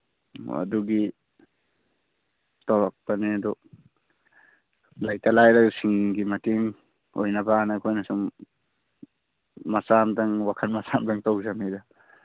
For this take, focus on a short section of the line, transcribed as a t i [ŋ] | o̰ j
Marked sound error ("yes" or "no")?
no